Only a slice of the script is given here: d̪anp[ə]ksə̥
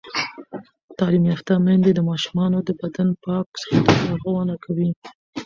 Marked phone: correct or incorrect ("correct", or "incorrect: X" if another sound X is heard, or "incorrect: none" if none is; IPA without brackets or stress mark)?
incorrect: ɑ